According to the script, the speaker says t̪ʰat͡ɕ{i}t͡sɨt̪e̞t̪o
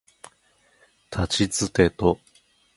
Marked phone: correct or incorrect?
correct